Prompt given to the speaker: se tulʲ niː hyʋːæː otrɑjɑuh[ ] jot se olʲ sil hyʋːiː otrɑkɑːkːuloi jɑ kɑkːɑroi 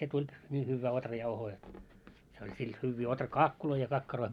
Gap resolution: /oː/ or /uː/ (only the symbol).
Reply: oː